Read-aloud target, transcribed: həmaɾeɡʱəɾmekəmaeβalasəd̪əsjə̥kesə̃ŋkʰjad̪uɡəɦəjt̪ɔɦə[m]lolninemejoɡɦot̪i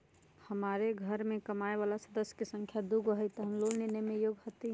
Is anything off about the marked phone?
no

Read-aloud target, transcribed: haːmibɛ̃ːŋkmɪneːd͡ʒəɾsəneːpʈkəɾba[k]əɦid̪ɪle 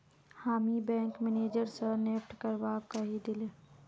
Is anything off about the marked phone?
no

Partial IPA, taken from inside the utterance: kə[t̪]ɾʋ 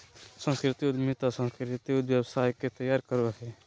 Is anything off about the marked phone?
yes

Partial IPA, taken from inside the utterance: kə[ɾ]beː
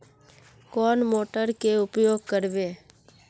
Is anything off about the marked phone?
no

